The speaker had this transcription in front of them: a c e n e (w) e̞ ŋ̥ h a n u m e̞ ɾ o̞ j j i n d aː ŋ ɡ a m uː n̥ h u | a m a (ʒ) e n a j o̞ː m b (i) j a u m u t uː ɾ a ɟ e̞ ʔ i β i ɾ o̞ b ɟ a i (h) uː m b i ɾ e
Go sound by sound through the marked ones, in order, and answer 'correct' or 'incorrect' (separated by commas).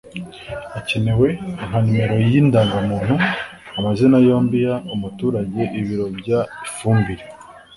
correct, incorrect, correct, incorrect